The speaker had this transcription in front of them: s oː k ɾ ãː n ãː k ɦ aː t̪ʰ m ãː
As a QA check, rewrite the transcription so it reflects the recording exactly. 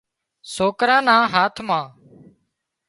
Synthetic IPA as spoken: s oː k ɾ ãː n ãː ɦ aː t̪ʰ m ãː